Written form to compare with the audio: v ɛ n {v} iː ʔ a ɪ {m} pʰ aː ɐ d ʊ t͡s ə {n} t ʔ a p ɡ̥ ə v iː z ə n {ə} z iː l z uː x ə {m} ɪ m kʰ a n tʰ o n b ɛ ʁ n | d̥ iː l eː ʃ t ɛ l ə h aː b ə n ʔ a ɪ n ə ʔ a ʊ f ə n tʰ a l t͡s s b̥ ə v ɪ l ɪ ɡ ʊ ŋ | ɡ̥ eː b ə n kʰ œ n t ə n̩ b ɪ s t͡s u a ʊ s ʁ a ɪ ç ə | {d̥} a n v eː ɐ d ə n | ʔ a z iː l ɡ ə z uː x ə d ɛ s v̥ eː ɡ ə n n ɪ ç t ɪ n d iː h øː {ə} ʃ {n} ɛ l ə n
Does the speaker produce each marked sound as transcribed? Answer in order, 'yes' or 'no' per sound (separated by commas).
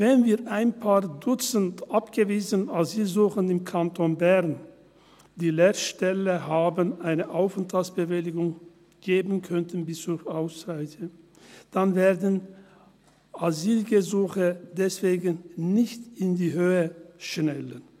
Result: yes, no, yes, no, no, yes, yes, yes